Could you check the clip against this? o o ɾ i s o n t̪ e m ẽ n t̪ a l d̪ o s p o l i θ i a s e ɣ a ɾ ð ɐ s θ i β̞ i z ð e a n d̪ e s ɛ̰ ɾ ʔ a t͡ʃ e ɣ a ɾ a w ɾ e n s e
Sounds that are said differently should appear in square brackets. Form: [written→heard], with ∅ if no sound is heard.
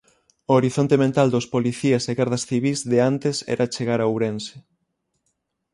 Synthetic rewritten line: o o ɾ i [s→θ] o n t̪ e m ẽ n t̪ a l d̪ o s p o l i θ i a s e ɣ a ɾ ð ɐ s θ i β̞ i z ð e a n [d̪→t̪] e s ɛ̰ ɾ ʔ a t͡ʃ e ɣ a ɾ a w ɾ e n s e